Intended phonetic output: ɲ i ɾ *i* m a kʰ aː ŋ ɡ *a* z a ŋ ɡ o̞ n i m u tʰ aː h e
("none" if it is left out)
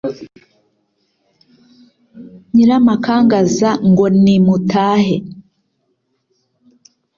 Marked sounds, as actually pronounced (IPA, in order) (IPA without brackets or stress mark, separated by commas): a, a